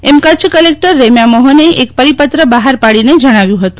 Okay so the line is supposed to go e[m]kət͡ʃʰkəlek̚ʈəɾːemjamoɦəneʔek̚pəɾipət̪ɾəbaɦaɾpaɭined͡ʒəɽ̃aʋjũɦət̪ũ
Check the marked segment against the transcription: correct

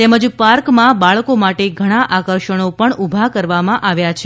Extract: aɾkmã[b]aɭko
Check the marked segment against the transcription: correct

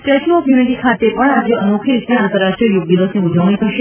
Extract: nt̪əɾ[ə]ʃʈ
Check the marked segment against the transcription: incorrect: a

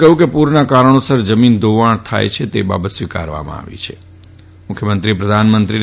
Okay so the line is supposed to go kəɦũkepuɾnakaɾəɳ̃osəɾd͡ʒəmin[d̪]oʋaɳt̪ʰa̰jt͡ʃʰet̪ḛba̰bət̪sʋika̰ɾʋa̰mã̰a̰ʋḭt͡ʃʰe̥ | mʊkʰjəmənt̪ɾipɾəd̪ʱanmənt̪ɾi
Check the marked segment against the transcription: correct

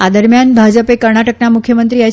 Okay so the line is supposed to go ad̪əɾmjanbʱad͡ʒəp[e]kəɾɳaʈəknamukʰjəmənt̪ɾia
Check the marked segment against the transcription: correct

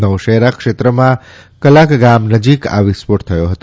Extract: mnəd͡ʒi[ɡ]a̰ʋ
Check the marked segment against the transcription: incorrect: k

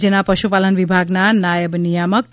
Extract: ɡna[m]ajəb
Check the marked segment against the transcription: incorrect: n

